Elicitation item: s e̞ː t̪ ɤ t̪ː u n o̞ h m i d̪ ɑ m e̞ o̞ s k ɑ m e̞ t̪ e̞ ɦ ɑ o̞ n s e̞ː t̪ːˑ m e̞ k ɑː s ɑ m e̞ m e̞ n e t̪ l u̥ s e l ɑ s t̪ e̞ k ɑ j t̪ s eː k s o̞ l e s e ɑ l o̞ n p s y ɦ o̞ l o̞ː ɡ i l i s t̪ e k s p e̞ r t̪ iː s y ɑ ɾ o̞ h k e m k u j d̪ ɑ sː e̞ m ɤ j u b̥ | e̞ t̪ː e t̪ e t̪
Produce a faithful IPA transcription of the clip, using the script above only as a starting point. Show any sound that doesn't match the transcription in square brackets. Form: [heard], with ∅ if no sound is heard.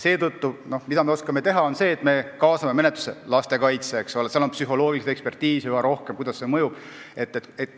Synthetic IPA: s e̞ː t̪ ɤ t̪ː u n o̞ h m i d̪ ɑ m e̞ o̞ s k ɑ m e̞ t̪ e̞ ɦ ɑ o̞ n s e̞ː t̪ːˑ m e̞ k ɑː s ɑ m e̞ m e̞ n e t̪ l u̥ s e l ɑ s t̪ e̞ k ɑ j t̪ s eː k s o̞ l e s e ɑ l o̞ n p s y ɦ o̞ l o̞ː ɡ i l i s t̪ e k s p e̞ r t̪ iː s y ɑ ɾ o̞ h k e m k u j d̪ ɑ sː e̞ m ɤ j u b̥ | e̞ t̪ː e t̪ e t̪